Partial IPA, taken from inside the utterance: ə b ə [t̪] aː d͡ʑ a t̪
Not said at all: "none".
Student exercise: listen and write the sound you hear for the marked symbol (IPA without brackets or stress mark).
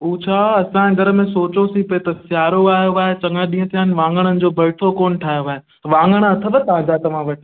t̪